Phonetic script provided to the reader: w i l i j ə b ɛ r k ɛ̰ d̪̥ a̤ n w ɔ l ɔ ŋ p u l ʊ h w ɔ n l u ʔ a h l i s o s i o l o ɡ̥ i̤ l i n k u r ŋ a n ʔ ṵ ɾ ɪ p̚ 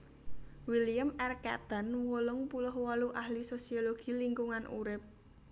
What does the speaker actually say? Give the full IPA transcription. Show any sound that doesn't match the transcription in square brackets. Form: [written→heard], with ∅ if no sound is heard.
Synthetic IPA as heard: w i l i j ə [b→m] ɛ r k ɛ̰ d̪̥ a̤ n w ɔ l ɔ ŋ p u l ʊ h w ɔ [n→∅] l u ʔ a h l i s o s i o l o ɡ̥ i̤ l i [n→ŋ] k u [r→∅] ŋ a n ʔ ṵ ɾ ɪ p̚